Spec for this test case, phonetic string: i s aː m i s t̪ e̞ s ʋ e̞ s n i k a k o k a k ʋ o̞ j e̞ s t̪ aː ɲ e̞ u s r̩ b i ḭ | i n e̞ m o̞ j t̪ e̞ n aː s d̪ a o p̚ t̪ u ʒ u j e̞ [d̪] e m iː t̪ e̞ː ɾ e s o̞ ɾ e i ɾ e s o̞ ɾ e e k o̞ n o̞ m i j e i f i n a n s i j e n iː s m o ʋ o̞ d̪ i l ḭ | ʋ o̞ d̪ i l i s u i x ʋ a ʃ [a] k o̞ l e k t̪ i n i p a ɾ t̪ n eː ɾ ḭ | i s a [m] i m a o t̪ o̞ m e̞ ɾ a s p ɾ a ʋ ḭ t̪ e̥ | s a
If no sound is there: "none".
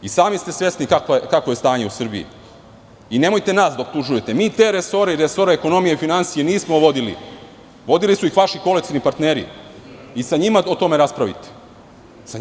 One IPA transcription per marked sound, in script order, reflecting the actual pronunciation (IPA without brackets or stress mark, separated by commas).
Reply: t̪, i, ɲ